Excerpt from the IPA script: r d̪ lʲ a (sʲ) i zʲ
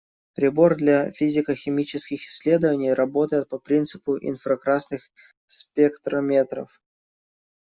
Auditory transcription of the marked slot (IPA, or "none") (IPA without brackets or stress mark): fʲ